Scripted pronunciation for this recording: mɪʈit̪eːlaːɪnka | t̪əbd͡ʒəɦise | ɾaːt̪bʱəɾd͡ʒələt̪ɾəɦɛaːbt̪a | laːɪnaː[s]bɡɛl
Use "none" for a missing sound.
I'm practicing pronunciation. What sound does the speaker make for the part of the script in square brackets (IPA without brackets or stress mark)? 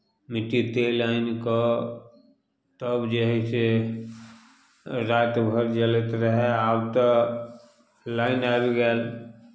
none